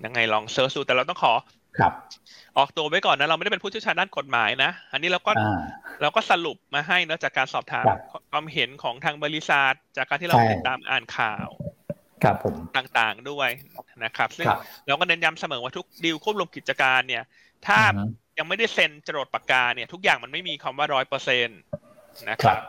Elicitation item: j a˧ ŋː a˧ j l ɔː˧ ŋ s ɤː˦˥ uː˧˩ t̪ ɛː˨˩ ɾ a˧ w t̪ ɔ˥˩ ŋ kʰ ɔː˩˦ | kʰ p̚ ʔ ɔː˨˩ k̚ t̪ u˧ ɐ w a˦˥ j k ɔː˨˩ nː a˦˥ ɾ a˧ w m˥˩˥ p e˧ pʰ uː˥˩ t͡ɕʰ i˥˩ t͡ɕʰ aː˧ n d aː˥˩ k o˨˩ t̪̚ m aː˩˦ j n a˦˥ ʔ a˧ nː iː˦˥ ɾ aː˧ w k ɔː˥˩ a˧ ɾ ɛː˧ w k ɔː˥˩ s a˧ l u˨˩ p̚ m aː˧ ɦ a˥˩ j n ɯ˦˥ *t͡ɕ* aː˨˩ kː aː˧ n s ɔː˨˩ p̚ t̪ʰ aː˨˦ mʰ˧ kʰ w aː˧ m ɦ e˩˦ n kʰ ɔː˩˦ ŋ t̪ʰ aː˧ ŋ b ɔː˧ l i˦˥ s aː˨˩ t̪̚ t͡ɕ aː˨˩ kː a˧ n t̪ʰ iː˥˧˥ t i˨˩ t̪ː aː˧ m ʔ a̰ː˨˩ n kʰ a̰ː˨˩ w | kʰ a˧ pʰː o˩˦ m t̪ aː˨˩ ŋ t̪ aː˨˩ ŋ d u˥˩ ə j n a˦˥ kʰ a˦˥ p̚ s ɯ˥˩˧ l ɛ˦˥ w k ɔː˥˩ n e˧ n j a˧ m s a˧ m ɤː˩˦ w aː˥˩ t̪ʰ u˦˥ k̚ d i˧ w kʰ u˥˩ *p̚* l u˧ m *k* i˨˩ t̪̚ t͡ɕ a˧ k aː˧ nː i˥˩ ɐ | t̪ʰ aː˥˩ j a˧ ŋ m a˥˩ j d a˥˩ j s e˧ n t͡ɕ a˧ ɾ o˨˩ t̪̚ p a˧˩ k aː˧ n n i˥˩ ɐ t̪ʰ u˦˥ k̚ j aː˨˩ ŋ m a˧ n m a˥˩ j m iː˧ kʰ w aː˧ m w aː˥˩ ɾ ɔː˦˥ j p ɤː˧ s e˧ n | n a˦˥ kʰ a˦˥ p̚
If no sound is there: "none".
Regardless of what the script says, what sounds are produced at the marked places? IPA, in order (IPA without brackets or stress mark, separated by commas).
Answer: t͡ɕ, p̚, k